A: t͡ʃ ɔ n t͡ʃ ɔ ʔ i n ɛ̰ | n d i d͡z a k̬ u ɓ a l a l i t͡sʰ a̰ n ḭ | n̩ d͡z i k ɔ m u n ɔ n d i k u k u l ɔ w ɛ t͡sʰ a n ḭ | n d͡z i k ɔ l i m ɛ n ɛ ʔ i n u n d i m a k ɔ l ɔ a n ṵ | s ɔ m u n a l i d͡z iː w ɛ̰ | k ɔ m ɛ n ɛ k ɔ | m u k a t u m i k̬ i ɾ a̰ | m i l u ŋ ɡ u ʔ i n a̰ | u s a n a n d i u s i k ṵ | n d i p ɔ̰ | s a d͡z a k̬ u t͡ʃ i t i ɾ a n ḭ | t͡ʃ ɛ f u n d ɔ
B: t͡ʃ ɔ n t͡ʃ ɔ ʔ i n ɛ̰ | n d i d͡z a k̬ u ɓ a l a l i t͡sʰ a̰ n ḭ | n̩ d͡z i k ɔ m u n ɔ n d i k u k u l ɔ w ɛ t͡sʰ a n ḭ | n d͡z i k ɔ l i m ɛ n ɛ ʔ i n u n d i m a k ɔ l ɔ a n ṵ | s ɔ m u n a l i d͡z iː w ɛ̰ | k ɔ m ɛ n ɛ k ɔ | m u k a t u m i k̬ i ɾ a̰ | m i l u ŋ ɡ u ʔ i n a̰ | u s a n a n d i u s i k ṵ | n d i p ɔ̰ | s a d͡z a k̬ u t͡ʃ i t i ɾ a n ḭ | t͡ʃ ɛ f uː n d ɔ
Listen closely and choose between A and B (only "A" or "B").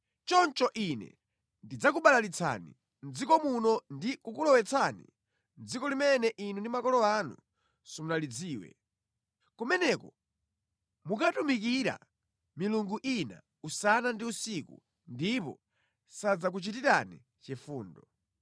B